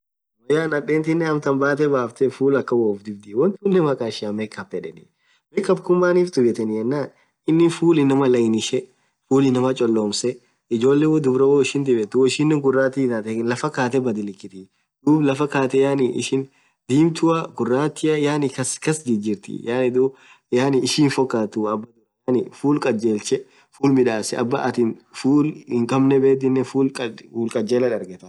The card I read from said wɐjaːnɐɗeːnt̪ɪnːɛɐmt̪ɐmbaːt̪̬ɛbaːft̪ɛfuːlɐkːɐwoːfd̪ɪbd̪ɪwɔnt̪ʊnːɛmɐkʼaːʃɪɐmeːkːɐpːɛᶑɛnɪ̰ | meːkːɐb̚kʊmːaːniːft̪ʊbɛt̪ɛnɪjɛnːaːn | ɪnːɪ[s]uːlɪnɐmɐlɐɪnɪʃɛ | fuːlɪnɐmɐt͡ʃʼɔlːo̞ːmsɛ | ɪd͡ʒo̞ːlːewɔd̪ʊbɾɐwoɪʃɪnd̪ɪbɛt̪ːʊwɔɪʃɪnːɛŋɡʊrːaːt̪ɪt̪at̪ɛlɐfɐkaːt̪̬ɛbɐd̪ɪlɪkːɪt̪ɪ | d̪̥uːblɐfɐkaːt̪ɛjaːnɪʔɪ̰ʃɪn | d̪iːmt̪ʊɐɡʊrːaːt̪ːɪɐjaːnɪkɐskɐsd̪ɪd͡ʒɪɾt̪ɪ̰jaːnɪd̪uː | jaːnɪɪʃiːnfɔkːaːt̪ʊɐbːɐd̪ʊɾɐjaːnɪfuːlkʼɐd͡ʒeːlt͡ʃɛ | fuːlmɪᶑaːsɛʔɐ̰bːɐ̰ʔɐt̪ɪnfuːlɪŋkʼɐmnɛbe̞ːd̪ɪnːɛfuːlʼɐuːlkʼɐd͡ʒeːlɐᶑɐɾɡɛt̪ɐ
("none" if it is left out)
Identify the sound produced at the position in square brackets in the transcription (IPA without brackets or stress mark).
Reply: f